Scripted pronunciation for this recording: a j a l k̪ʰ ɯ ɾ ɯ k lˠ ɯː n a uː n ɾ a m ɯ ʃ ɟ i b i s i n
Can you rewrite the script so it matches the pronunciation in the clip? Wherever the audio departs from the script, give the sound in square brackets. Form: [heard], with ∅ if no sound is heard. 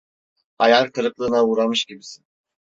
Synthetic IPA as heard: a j a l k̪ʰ ɯ ɾ ɯ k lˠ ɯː n a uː [∅] ɾ a m ɯ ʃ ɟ i b i s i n